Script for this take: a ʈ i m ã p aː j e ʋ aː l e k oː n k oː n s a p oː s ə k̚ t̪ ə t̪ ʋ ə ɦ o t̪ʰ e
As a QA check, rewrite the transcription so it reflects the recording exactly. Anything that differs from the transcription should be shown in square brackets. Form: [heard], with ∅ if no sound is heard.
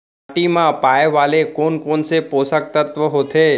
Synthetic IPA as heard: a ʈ i m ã p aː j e ʋ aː l e k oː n k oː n s [e] p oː s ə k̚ t̪ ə t̪ ʋ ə ɦ o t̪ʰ e